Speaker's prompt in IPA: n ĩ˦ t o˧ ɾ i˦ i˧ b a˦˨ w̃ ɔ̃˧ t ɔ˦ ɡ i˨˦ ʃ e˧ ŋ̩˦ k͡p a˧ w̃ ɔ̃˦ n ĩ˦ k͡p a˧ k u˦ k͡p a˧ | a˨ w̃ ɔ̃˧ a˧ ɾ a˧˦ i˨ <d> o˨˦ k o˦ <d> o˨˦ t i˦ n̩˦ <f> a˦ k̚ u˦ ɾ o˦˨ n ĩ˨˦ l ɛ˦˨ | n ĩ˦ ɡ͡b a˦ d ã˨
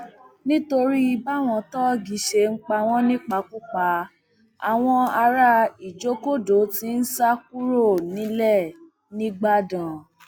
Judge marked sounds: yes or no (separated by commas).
no, yes, no